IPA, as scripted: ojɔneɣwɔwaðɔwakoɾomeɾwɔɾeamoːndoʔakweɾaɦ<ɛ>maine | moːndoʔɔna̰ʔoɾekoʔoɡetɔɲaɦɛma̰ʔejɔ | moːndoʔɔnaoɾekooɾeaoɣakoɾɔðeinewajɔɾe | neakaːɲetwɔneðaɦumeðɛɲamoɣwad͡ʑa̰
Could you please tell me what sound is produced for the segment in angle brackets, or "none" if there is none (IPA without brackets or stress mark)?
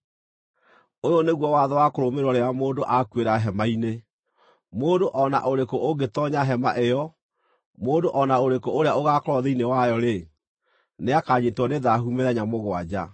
ɛ